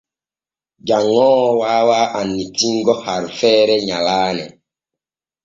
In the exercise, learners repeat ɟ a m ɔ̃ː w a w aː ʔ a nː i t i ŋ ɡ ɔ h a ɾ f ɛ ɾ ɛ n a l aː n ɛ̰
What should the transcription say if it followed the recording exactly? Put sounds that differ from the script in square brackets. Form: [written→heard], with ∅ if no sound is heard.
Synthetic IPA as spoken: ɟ a [m→ŋ] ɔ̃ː w a w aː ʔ a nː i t i ŋ ɡ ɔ h a ɾ f ɛ ɾ ɛ [n→ɲ] a l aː n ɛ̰

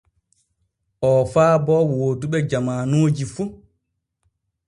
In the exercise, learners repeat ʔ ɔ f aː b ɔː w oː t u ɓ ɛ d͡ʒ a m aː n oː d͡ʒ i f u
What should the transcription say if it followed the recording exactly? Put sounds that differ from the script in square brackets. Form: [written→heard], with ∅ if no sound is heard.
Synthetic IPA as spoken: ʔ ɔ f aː b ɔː w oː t u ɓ ɛ d͡ʒ a m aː n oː d͡ʒ i f u

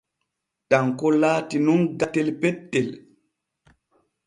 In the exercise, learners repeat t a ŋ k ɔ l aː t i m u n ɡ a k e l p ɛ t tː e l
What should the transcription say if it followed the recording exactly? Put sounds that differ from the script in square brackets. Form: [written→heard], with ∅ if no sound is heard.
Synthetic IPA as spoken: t a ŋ k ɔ l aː t i [m→n] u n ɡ a [k→t] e l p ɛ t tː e l

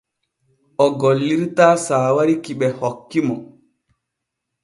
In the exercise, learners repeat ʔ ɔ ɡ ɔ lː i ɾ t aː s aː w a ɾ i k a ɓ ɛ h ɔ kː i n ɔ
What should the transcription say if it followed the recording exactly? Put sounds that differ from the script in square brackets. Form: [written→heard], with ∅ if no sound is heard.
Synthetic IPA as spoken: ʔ ɔ ɡ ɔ lː i ɾ t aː s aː w a ɾ i k [a→i] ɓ ɛ h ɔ kː i [n→m] ɔ

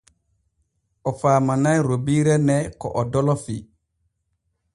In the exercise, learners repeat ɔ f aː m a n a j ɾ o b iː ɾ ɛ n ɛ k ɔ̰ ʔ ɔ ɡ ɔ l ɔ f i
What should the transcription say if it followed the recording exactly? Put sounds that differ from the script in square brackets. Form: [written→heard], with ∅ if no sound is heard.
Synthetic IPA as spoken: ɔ f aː m a n a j ɾ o b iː ɾ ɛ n ɛ k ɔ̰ ʔ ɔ [ɡ→d] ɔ l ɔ f i

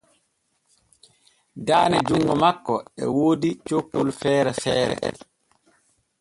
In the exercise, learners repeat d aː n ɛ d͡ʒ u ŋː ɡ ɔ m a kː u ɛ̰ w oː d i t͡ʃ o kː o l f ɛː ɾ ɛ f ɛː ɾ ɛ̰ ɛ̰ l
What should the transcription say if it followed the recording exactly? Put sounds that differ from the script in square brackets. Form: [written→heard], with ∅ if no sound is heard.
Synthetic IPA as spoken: d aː n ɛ d͡ʒ u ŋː ɡ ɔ m a kː [u→ɔ] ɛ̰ w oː d i t͡ʃ o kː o l f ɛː ɾ ɛ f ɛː ɾ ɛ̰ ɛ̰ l

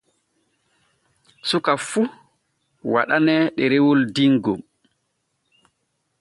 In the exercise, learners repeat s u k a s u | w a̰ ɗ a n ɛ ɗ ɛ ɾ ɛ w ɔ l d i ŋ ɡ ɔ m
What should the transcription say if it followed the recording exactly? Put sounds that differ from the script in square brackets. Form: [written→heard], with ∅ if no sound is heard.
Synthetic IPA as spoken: s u k a [s→f] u | w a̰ ɗ a n ɛ ɗ ɛ ɾ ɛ w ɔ l d i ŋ ɡ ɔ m

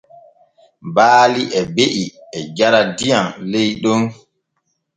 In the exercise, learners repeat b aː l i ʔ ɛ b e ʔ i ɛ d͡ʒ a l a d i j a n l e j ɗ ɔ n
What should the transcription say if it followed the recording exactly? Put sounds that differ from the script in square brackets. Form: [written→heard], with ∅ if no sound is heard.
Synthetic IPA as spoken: b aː l i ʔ ɛ b e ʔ i ɛ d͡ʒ a [l→ɾ] a d i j a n l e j ɗ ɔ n

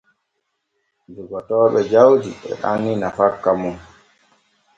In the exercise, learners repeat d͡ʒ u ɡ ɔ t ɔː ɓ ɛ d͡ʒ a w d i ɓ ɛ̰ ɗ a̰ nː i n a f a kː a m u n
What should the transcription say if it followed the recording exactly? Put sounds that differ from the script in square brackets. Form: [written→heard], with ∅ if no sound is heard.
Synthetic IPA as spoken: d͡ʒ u ɡ ɔ t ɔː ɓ ɛ d͡ʒ a w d i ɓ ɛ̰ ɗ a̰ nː i n a f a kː a m u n

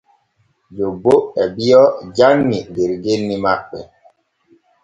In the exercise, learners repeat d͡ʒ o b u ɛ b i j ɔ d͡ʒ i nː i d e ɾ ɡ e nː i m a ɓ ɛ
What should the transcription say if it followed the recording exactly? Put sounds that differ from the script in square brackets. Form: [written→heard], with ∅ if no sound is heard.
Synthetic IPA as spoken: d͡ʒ o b [u→o] ɛ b i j ɔ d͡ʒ [i→a] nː i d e ɾ ɡ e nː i m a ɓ ɛ

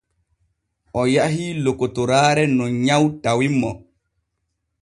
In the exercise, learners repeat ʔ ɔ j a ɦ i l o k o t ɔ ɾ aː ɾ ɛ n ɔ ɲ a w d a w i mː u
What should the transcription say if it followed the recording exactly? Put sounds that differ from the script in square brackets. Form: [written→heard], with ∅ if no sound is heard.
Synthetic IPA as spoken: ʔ ɔ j a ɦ i l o k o t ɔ ɾ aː ɾ ɛ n ɔ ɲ a w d a w i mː [u→ɔ]

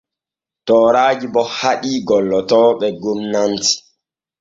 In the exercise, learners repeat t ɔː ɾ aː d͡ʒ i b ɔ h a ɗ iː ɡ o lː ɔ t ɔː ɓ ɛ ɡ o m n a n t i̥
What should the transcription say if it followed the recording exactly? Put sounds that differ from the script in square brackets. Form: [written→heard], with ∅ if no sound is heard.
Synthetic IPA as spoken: t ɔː ɾ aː d͡ʒ i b ɔ h a ɗ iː ɡ [o→ɔ] lː ɔ t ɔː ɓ ɛ ɡ o m n a n t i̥

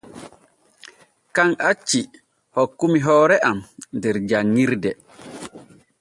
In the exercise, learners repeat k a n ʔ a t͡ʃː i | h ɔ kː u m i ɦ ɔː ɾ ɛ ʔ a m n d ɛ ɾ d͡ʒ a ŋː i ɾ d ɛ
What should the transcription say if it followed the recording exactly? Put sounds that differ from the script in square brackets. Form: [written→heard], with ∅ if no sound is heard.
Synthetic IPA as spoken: k a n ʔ a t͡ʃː i | h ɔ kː u m i ɦ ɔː ɾ ɛ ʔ a m n d ɛ ɾ d͡ʒ a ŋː i ɾ d ɛ

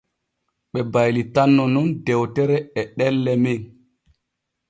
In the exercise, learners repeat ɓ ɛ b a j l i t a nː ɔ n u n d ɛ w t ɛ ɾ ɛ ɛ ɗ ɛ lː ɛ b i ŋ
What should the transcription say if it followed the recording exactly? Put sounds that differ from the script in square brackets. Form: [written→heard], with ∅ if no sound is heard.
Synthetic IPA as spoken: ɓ ɛ b a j l i t a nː ɔ n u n d ɛ w t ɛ ɾ ɛ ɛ ɗ ɛ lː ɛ [b→m] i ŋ

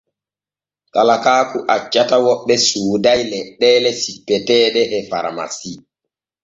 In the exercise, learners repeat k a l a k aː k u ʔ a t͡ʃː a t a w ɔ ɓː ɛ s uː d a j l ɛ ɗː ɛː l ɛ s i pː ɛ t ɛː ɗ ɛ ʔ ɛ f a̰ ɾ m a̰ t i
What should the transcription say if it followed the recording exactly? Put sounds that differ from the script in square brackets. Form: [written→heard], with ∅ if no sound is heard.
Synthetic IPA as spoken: k a l a k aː k u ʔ a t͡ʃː a t a w ɔ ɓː ɛ s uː d a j l ɛ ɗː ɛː l ɛ s i pː ɛ t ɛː ɗ ɛ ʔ ɛ f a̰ ɾ m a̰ [t→s] i

